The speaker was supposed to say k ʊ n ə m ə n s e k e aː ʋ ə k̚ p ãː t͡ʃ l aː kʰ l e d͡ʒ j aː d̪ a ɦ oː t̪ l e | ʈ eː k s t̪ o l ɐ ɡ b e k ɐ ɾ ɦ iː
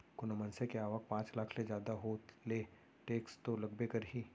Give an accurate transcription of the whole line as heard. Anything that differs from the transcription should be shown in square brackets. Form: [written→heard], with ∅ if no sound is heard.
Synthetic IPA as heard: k ʊ n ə m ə n s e k e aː ʋ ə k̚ p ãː t͡ʃ l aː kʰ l e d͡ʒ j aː d̪ a ɦ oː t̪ l e | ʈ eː k s t̪ o l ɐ ɡ b e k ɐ ɾ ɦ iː